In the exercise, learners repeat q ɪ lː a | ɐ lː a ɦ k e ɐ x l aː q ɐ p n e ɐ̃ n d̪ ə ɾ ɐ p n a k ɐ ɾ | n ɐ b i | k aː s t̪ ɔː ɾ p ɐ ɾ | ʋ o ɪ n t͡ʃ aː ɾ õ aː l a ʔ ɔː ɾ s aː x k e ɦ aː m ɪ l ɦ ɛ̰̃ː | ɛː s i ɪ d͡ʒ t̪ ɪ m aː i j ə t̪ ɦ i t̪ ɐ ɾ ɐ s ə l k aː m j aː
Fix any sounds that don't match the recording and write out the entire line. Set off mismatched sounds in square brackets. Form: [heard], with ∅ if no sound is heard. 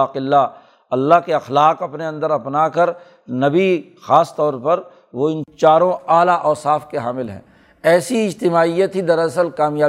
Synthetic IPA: q ɪ lː a | ɐ lː a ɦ k e ɐ x l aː q ɐ p n e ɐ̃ n d̪ ə ɾ ɐ p n a k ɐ ɾ | n ɐ b i | [x] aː s t̪ ɔː ɾ p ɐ ɾ | ʋ o ɪ n t͡ʃ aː ɾ õ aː l a ʔ ɔː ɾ s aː [f] k e ɦ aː m ɪ l ɦ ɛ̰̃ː | ɛː s i ɪ d͡ʒ t̪ ɪ m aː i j ə t̪ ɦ i [d̪] ɐ ɾ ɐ s ə l k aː m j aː